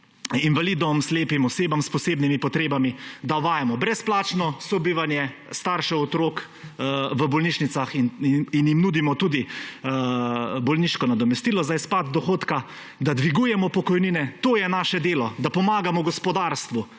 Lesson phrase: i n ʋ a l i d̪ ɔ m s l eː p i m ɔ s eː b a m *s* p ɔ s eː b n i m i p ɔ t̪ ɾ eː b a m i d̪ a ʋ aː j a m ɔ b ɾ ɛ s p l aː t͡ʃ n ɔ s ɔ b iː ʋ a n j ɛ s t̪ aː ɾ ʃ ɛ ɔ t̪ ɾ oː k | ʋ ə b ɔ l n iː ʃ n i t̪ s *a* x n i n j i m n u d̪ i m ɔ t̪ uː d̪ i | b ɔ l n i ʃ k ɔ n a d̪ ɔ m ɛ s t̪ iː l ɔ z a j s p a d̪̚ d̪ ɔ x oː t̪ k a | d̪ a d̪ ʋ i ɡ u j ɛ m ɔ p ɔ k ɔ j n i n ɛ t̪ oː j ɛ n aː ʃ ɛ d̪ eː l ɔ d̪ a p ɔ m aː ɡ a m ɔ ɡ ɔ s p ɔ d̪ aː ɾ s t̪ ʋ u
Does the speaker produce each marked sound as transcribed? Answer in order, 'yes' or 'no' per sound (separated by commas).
yes, yes